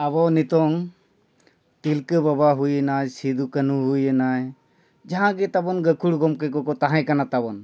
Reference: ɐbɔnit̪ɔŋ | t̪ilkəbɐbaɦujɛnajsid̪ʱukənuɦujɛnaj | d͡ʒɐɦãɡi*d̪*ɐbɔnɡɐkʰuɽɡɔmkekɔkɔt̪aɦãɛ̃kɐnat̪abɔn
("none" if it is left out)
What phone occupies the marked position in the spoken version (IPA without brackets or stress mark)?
t̪